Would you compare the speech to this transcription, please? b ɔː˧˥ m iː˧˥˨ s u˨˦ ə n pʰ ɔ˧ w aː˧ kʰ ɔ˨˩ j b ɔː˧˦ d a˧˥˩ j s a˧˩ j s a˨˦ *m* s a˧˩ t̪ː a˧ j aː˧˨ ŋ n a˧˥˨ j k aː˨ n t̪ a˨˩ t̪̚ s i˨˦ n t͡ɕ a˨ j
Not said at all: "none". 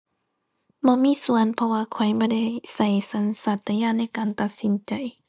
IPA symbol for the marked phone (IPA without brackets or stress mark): n